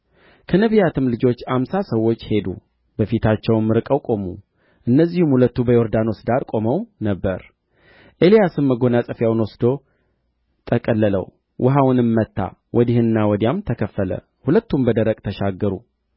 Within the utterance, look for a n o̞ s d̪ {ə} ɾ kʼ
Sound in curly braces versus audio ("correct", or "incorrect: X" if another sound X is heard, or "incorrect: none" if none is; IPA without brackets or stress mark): incorrect: a